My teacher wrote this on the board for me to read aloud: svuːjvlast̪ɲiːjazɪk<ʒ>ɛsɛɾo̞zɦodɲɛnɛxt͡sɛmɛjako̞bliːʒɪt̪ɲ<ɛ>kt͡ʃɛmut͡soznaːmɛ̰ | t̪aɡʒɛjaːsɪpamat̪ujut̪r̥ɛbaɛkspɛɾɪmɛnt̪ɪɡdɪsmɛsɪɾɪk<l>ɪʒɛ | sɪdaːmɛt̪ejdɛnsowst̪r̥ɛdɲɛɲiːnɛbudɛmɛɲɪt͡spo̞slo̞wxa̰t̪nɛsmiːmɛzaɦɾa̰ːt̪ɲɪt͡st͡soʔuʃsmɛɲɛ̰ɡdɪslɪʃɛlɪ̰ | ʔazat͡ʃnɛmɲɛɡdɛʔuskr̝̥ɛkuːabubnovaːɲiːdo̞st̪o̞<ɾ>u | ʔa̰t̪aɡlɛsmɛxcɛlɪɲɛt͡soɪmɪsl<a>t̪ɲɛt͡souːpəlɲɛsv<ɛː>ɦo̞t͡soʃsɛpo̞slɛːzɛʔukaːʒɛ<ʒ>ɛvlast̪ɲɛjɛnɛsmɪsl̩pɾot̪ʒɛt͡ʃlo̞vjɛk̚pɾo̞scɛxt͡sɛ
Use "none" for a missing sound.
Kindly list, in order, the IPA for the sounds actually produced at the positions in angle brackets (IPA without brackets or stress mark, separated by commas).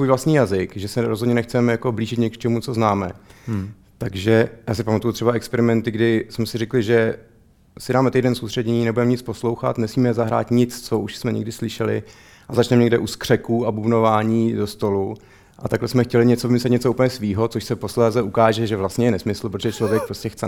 ʒ, ɛ, l, l, ɛ, iː, ʒ